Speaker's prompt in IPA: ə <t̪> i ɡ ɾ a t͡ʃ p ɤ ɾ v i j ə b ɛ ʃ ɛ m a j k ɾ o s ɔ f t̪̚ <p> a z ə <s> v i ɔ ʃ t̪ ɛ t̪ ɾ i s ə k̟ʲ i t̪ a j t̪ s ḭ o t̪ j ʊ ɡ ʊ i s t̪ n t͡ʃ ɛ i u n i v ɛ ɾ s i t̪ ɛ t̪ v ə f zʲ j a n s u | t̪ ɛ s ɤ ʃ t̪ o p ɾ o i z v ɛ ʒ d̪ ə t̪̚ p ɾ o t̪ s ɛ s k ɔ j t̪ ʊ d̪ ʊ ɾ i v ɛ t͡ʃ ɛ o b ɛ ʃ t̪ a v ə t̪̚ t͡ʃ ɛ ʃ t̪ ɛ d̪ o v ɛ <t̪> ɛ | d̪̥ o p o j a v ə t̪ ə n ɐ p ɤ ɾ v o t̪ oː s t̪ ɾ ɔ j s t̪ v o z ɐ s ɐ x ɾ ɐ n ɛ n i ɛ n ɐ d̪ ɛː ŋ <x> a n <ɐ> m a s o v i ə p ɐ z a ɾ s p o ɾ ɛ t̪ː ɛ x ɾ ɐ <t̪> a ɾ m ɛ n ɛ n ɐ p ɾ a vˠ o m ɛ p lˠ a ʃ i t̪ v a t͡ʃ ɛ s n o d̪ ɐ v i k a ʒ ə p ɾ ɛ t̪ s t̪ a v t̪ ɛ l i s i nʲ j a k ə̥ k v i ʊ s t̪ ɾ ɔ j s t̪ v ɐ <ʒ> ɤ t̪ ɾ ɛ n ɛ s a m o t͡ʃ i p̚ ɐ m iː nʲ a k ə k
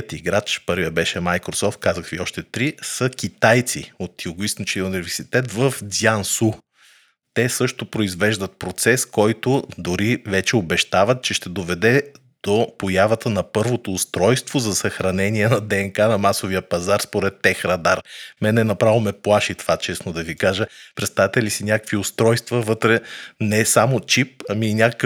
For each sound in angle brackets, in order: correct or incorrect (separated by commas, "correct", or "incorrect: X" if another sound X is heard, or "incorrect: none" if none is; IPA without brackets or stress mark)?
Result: correct, incorrect: k, incorrect: x, incorrect: d̪, incorrect: k, correct, incorrect: d̪, incorrect: v